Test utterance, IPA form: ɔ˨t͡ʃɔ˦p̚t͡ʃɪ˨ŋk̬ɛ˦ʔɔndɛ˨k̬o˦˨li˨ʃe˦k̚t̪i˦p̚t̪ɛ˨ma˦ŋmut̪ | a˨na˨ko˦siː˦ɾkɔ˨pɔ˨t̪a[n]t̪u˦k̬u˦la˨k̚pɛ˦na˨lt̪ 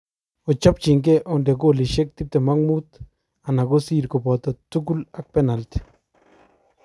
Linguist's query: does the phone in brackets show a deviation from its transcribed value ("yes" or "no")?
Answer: yes